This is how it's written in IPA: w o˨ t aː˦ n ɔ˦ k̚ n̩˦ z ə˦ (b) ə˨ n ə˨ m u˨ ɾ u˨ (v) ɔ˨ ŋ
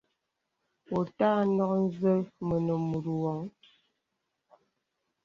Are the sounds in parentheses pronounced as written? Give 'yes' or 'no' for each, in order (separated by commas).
no, no